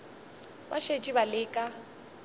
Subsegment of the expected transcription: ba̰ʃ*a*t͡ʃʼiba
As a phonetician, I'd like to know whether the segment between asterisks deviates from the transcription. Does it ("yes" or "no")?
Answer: yes